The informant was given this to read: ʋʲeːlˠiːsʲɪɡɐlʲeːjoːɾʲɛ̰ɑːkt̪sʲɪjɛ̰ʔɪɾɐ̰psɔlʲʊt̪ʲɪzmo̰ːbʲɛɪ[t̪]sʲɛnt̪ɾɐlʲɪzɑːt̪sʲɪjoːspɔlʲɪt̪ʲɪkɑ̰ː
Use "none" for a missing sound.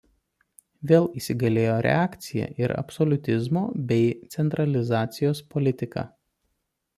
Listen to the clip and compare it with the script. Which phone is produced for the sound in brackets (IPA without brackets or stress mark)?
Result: t̪